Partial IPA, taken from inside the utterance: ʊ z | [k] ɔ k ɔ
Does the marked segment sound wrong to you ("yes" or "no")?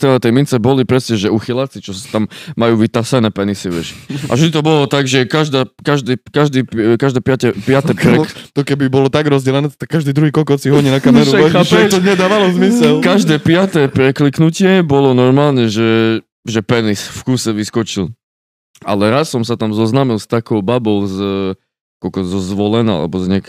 no